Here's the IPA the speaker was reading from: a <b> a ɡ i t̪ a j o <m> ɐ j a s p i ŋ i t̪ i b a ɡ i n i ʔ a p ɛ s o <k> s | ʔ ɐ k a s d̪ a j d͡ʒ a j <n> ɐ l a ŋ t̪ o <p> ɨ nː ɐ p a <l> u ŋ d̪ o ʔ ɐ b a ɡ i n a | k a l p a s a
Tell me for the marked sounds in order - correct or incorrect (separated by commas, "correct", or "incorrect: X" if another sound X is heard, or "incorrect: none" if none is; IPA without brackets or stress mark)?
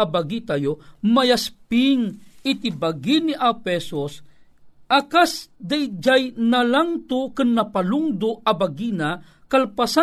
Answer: correct, correct, incorrect: none, correct, incorrect: k, correct